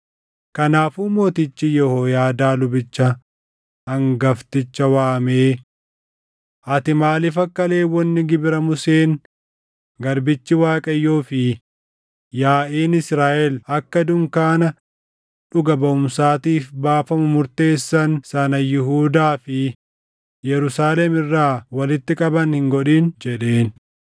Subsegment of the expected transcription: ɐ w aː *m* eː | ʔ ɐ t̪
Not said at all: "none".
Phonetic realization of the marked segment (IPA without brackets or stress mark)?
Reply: m